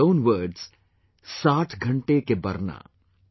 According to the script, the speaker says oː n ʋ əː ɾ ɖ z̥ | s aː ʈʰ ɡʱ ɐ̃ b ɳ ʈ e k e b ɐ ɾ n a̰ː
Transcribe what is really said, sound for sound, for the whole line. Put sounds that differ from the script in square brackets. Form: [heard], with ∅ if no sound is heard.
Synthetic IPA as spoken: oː n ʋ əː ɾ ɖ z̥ | s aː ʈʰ ɡʱ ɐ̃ [∅] ɳ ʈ e k e b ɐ ɾ n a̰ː